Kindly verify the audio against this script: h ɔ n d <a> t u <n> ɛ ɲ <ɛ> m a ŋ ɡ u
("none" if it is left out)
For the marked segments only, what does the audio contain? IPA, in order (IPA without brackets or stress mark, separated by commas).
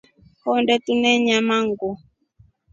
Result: ɛ, n, a